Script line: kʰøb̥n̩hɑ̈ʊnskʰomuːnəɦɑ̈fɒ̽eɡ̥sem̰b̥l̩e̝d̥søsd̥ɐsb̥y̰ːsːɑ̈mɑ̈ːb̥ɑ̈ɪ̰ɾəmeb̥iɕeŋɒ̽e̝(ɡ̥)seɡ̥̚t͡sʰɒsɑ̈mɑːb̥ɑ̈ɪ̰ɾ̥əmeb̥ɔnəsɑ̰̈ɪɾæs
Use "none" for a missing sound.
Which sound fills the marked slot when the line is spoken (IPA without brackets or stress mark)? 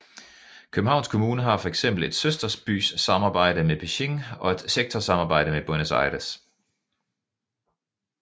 d̥